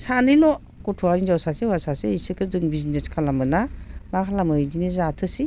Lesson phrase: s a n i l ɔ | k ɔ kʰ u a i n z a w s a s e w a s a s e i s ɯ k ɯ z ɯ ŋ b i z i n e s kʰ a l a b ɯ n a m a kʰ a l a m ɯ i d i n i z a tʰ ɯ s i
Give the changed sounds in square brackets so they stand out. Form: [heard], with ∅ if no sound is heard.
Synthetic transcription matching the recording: s a n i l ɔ | k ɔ [tʰ] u a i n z a w s a s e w a s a s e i s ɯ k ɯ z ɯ ŋ b i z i n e s kʰ a l a [m] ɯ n a m a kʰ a l a m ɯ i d i n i z a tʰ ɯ s i